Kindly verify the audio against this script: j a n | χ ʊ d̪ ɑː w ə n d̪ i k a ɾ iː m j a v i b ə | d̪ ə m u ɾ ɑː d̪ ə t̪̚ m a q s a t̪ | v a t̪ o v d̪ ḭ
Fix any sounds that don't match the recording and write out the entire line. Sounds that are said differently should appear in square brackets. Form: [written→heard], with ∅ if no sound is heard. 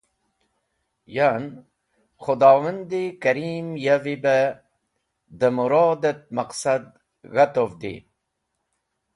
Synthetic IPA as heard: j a n | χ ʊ d̪ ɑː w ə n d̪ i k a ɾ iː m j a v i b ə | d̪ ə m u ɾ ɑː d̪ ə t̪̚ m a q s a [t̪→d̪] | [v→ɣ] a t̪ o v d̪ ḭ